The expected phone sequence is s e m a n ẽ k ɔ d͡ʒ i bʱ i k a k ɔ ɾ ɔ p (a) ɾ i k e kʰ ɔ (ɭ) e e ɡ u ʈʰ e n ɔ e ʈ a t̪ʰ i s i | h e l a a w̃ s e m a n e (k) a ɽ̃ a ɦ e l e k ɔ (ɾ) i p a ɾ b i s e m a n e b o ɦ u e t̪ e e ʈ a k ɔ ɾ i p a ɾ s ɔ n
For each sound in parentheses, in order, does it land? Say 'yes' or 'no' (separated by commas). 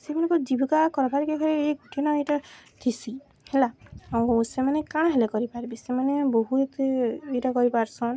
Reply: yes, no, yes, yes